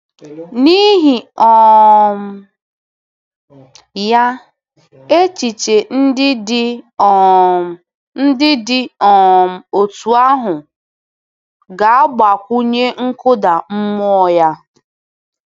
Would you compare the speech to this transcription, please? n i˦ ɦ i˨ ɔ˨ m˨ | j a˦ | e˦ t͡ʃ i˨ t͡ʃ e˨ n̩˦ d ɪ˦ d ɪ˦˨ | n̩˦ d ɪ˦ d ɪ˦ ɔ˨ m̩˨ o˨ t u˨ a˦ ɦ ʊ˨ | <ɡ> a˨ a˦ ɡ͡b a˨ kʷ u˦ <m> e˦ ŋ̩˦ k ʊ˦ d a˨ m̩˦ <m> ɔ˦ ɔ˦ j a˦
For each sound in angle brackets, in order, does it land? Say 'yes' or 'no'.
yes, no, yes

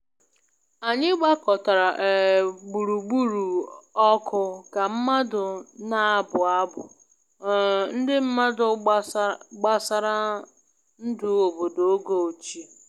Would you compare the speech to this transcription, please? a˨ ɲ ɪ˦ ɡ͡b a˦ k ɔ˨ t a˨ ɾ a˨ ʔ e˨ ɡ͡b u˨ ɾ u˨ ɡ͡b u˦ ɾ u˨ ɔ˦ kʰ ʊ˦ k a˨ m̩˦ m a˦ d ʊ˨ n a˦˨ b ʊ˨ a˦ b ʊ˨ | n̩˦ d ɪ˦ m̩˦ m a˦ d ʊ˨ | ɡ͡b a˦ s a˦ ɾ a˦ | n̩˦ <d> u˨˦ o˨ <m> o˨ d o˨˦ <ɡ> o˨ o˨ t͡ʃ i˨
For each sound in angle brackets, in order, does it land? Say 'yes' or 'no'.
yes, no, yes

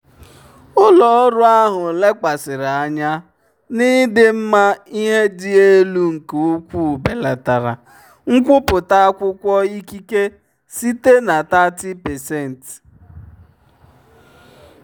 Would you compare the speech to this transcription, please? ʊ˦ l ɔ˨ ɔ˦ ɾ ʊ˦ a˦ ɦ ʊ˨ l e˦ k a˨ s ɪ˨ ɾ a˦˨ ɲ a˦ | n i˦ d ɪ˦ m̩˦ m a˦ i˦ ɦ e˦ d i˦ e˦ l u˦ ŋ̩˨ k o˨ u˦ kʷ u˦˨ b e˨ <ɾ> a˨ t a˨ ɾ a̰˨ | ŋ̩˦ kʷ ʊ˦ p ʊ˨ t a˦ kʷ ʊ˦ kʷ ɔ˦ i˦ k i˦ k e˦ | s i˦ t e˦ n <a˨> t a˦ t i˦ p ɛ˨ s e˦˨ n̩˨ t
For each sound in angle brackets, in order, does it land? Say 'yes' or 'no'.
no, yes

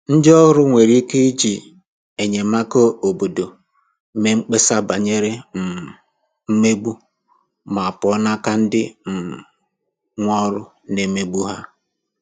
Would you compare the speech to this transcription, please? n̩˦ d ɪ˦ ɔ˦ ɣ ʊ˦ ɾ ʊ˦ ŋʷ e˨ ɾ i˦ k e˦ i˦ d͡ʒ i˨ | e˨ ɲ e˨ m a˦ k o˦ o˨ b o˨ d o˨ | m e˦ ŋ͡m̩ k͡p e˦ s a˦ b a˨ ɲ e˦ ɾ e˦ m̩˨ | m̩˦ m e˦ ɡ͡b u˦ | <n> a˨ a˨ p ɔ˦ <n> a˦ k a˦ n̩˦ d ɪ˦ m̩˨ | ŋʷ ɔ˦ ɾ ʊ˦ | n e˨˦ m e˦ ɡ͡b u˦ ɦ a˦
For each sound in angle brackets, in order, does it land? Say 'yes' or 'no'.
no, yes

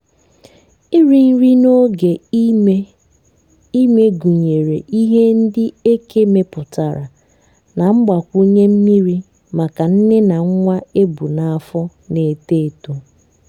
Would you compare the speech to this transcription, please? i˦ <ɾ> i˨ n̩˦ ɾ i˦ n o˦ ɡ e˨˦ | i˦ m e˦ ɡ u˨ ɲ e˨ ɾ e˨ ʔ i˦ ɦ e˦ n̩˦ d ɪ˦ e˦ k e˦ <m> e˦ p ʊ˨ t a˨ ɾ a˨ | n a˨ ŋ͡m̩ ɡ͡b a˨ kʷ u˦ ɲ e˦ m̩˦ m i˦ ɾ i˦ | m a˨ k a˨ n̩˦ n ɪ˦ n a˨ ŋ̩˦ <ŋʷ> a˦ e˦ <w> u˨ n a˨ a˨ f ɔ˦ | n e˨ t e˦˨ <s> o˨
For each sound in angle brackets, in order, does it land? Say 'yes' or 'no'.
yes, yes, yes, no, no

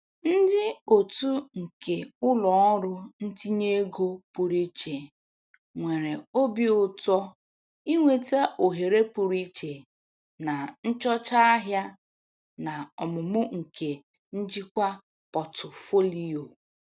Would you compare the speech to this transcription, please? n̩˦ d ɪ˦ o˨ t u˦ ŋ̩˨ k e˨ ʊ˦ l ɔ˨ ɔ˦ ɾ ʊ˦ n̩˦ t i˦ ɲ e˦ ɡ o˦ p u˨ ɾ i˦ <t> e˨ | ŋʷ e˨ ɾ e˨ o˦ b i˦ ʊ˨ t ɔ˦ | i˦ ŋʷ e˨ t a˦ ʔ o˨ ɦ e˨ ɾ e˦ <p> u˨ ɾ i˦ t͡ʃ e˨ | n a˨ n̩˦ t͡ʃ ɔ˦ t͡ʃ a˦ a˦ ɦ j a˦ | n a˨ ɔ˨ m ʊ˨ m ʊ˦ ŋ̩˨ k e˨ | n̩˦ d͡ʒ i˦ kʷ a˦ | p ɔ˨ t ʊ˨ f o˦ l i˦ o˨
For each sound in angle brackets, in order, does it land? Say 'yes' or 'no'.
no, yes

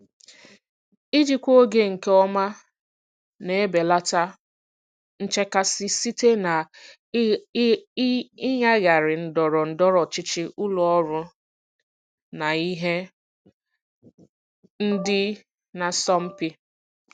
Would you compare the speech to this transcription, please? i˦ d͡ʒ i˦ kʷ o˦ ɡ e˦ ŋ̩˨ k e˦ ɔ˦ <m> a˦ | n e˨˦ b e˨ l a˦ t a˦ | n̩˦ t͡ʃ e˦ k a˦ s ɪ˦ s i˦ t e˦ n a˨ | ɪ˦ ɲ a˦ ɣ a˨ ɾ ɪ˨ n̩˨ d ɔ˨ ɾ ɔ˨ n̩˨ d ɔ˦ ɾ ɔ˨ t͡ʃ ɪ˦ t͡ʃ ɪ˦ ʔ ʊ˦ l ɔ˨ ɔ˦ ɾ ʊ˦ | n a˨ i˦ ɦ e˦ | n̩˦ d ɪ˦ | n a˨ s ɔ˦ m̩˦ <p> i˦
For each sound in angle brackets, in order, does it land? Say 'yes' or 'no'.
yes, yes

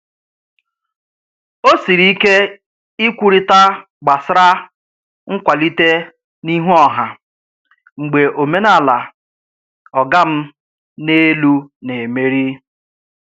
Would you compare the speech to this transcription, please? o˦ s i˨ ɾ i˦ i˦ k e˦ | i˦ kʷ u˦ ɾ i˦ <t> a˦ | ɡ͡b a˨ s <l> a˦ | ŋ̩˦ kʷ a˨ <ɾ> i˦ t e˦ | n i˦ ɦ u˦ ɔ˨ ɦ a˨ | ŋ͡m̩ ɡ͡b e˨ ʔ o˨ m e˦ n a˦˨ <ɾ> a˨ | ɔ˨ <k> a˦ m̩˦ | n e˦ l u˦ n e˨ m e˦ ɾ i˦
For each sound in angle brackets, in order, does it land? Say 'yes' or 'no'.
yes, no, no, no, no

